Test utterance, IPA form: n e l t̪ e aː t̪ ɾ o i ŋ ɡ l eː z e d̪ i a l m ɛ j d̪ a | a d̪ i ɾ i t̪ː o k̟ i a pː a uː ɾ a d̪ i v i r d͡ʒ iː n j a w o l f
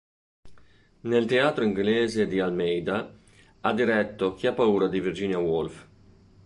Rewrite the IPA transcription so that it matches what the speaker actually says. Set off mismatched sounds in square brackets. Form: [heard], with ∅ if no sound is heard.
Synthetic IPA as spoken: n e l t̪ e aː t̪ ɾ o i ŋ ɡ l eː z e d̪ i a l m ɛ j d̪ a | a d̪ i ɾ [ɛ] t̪ː o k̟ i a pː a uː ɾ a d̪ i v i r d͡ʒ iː n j a w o l f

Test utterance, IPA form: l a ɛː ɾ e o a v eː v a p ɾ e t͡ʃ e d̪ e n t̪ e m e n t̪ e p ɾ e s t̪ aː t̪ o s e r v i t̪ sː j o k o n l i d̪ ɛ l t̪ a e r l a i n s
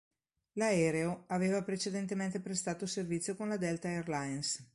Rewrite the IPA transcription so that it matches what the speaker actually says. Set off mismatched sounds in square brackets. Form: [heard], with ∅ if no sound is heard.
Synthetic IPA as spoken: l a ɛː ɾ e o a v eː v a p ɾ e t͡ʃ e d̪ e n t̪ e m e n t̪ e p ɾ e s t̪ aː t̪ o s e r v i t̪ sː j o k o n l [a] d̪ ɛ l t̪ a e r l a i n s

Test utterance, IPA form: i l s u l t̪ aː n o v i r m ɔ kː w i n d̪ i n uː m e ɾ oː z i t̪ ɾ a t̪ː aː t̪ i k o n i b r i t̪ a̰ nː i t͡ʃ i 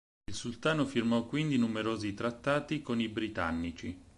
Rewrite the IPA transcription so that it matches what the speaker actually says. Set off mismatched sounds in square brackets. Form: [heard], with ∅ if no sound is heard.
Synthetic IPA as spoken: i l s u l t̪ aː n o [f] i r m ɔ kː w i n d̪ i n [u] m e ɾ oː z i t̪ ɾ a t̪ː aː t̪ i k o n i b [ɾ] i t̪ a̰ nː i t͡ʃ i

